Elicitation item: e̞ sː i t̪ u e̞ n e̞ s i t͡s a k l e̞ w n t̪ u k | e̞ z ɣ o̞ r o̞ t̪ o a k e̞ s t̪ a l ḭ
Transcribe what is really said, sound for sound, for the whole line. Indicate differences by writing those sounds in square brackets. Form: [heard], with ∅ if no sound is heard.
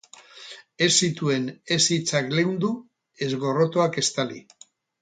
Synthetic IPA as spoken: e̞ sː i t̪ u e̞ n e̞ s i t͡s a k l e̞ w n [d̪] u [∅] | e̞ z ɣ o̞ r o̞ t̪ o a k e̞ s t̪ a l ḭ